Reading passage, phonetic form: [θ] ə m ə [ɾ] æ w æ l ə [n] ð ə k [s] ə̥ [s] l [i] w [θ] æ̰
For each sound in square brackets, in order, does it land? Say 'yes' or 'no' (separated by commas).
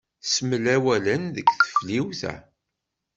no, no, yes, no, no, yes, yes